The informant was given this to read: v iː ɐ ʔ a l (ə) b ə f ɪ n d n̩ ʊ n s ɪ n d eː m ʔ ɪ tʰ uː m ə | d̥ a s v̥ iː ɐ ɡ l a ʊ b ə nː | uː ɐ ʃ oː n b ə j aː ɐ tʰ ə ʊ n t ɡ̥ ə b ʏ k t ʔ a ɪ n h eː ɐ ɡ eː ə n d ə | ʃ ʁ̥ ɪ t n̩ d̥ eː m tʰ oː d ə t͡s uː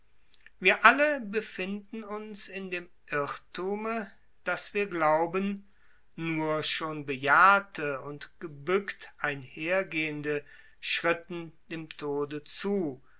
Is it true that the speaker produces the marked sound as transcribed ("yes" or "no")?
yes